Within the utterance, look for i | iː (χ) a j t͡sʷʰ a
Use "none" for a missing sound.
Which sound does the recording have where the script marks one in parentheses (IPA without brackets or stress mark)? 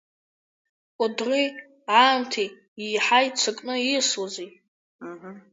ħ